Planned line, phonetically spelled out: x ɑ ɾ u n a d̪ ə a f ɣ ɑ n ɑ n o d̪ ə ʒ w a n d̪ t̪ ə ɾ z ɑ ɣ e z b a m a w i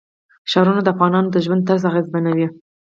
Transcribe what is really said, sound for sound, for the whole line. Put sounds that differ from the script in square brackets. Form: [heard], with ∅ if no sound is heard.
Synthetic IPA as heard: [ʃ] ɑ ɾ u n a d̪ ə a f ɣ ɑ n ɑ n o d̪ ə ʒ w a n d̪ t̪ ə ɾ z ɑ ɣ e z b a [n] a w i